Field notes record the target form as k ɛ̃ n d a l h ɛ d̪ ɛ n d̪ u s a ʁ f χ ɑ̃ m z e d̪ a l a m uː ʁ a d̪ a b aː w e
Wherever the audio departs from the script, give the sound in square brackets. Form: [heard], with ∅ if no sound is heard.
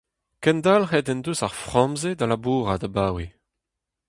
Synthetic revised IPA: k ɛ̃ n d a l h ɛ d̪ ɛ n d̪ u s a ʁ f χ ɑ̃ m z e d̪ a l a [b] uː ʁ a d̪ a b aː w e